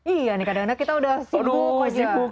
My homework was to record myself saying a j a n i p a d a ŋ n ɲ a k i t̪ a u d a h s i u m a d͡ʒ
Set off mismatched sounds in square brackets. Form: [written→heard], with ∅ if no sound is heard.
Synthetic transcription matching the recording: [a→i] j a n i [p→k] a d a ŋ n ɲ a k i t̪ a u d a h s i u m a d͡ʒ